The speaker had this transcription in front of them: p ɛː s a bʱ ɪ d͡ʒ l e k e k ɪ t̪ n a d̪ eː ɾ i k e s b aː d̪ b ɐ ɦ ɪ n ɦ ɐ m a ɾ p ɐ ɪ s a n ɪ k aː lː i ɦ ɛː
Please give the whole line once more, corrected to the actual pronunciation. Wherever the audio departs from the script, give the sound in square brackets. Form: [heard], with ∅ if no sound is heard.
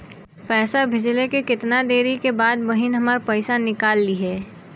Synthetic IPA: p ɛː s a bʱ ɪ d͡ʒ l e k e k ɪ t̪ n a d̪ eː ɾ i k e [∅] b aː d̪ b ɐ ɦ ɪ n ɦ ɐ m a ɾ p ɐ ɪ s a n ɪ k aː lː i ɦ ɛː